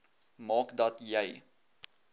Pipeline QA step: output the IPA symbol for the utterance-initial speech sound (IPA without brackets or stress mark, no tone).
m